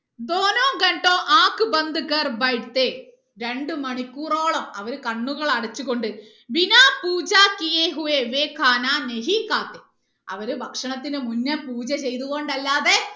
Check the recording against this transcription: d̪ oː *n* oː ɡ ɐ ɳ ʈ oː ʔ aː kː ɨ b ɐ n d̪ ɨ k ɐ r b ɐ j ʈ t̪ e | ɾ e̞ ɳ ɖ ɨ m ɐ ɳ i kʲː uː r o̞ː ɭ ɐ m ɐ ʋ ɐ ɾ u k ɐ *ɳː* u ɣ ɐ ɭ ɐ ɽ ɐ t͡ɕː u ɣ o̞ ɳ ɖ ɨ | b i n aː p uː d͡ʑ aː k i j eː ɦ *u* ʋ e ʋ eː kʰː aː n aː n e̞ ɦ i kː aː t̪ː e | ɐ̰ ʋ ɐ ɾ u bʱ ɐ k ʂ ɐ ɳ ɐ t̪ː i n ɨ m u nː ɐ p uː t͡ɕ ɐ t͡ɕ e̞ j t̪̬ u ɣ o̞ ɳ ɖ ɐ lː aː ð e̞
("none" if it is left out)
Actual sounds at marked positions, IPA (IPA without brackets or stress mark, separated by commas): n, ɳː, u